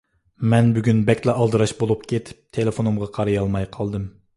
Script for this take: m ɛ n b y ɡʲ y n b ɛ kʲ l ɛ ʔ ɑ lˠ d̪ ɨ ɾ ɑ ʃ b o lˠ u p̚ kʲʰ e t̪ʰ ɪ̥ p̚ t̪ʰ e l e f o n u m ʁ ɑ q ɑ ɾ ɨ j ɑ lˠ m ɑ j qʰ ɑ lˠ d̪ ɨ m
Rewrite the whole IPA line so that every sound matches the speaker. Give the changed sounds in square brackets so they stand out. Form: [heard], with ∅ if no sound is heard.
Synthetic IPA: m ɛ n b y ɡʲ y n b ɛ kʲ l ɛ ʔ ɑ lˠ d̪ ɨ ɾ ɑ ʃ b o lˠ u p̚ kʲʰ e t̪ʰ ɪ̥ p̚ t̪ʰ e l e f o n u m ʁ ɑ [qʰ] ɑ ɾ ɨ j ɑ lˠ m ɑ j qʰ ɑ lˠ d̪ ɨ m